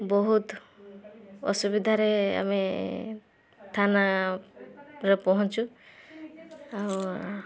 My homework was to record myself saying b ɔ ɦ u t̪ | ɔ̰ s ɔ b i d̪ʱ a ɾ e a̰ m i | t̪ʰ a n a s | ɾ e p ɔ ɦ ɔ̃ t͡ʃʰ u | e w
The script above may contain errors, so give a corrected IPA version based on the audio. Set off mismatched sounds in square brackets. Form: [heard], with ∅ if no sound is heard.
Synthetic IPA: b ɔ ɦ u t̪ | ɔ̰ s [u] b i d̪ʱ a ɾ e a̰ m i | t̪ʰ a n a [∅] | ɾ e p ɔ ɦ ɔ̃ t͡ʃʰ u | [a] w

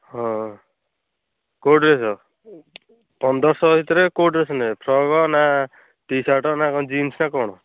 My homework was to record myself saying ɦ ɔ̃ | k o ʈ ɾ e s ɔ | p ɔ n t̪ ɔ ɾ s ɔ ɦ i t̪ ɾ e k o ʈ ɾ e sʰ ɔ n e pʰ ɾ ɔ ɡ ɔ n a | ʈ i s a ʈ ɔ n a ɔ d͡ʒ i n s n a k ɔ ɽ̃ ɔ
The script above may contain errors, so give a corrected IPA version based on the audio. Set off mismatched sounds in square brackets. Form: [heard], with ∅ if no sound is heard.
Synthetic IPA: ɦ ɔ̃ | k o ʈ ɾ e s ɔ | p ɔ n [d̪] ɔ ɾ s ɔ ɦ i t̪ ɾ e k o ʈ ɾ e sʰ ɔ n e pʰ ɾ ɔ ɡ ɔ n a | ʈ i s a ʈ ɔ n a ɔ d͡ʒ i n s n a k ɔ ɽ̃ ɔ

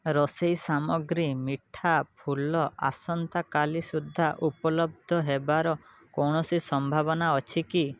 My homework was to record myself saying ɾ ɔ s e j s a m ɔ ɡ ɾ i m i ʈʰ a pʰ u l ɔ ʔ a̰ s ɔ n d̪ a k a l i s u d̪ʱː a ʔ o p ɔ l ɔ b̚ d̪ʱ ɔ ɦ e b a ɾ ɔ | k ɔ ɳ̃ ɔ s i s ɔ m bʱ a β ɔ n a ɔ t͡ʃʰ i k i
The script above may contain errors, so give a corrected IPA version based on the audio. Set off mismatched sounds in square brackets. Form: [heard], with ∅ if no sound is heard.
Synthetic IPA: ɾ ɔ s e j s a m ɔ ɡ ɾ i m i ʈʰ a pʰ u l ɔ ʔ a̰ s ɔ n [t̪] a k a l i s u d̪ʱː a ʔ [u] p ɔ l ɔ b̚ d̪ʱ ɔ ɦ e b a ɾ ɔ | k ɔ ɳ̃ ɔ s i s ɔ m bʱ a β ɔ n a ɔ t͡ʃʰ i k i

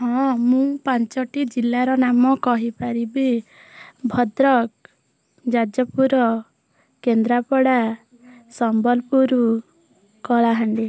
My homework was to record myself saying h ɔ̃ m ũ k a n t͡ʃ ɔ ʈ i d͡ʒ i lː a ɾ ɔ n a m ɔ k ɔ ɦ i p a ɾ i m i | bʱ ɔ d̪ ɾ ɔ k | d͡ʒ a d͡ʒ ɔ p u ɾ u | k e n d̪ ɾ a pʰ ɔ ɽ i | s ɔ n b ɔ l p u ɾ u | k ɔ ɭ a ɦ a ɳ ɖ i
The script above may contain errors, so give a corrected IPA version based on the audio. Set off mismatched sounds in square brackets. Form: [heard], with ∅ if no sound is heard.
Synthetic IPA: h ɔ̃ m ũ [p] a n t͡ʃ ɔ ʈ i d͡ʒ i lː a ɾ ɔ n a m ɔ k ɔ ɦ i p a ɾ i [b] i | bʱ ɔ d̪ ɾ ɔ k | d͡ʒ a d͡ʒ ɔ p u ɾ [ɔ] | k e n d̪ ɾ a [p] ɔ ɽ [a] | s ɔ [m] b ɔ l p u ɾ u | k ɔ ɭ a ɦ a ɳ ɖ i

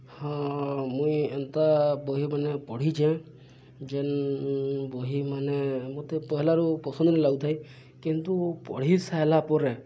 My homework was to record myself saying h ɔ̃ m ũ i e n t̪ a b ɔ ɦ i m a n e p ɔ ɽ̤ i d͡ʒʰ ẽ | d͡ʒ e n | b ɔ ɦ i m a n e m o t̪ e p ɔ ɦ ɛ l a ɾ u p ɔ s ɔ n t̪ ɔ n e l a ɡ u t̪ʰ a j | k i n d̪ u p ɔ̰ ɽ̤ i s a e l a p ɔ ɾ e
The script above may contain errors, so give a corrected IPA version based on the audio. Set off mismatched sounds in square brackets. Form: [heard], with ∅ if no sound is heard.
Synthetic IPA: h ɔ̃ m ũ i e n t̪ a b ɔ ɦ i m a n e p ɔ ɽ̤ i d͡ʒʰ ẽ | d͡ʒ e n | b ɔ ɦ i m a n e m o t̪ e p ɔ ɦ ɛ l a ɾ u p ɔ s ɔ n [d̪] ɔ n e l a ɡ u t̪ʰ a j | k i n [t̪] u p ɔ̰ ɽ̤ i s a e l a p ɔ ɾ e

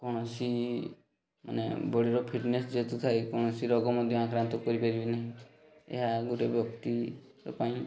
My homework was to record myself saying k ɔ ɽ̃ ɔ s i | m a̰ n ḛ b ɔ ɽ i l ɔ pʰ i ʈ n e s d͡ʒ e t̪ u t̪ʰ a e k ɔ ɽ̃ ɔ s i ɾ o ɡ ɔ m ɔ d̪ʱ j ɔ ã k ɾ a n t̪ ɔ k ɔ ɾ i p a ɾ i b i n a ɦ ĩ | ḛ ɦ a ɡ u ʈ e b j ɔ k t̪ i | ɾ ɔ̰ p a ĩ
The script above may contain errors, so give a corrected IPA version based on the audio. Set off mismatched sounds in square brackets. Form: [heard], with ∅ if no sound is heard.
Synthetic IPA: k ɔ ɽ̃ ɔ s i | m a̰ n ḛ b ɔ ɽ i [ɾ] ɔ pʰ i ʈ n e s d͡ʒ e t̪ u t̪ʰ a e k ɔ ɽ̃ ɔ s i ɾ [ɔ] ɡ ɔ m ɔ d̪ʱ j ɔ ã k ɾ a n t̪ ɔ k ɔ ɾ i p a ɾ i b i n a ɦ ĩ | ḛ ɦ a ɡ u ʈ e b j ɔ k t̪ i | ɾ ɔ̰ p a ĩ

